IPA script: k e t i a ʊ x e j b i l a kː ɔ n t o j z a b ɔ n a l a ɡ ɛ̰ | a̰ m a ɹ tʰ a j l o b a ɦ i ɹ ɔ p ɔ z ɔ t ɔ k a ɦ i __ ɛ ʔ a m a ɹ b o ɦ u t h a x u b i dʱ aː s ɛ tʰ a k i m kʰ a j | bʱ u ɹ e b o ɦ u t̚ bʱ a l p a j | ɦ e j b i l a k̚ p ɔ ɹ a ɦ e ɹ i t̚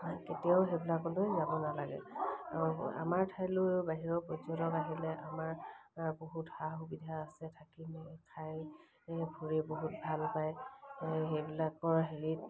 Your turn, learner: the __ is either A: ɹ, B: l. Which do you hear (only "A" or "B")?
B